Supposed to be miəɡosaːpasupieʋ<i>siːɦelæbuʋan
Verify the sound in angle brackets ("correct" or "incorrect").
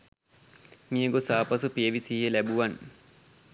correct